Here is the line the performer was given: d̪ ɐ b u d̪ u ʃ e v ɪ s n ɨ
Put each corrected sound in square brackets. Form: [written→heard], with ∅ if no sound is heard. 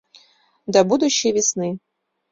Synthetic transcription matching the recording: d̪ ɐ b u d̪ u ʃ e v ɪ s n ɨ